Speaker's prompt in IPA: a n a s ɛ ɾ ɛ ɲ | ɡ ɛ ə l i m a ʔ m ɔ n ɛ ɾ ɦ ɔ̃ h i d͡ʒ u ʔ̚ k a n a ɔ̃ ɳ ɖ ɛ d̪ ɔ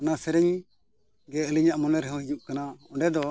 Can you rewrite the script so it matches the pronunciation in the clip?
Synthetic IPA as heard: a n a s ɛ ɾ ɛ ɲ | ɡ ɛ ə l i ɲ a ʔ m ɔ n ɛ ɾ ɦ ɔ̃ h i d͡ʒ u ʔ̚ k a n a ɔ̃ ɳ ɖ ɛ d̪ ɔ